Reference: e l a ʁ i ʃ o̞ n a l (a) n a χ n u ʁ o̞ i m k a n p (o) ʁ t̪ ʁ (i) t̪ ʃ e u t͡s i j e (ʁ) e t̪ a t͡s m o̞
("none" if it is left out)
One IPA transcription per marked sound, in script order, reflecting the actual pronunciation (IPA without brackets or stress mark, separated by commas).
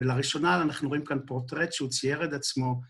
a, o, e, ʁ